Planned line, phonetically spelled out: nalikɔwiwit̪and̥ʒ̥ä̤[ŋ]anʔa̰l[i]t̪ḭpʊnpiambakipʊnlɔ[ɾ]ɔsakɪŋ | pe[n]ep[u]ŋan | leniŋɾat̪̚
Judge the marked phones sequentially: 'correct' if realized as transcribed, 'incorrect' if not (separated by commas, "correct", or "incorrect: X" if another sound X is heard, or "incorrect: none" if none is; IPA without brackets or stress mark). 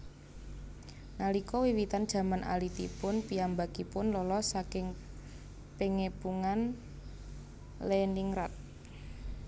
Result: incorrect: m, correct, incorrect: l, incorrect: ŋ, correct